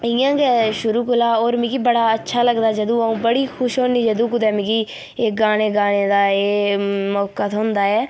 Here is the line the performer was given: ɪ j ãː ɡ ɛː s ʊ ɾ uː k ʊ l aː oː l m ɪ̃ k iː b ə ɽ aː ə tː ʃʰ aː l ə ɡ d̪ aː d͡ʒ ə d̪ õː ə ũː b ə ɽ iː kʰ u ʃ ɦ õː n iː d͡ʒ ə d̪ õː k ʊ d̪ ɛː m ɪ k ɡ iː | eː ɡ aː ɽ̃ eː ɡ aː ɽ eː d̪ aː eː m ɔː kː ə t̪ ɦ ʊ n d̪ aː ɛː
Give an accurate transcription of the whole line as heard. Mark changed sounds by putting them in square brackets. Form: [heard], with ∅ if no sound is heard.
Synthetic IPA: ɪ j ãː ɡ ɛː [ʃ] ʊ ɾ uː k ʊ l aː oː [ɾ] m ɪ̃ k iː b ə ɽ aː ə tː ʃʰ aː l ə ɡ d̪ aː d͡ʒ ə d̪ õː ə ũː b ə ɽ iː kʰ [ʊ] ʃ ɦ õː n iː d͡ʒ ə d̪ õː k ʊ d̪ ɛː m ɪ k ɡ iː | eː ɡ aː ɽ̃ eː ɡ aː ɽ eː d̪ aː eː m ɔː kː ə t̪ ɦ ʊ n d̪ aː ɛː